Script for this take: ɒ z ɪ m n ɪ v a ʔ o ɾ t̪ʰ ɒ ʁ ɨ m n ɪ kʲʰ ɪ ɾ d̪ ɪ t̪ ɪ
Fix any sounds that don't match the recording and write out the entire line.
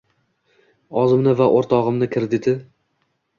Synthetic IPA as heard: ɒ z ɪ m n ɪ v a ʔ o ɾ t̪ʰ ɒ ʁ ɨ m n ɪ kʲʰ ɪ ɾ d̪ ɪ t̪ ɪ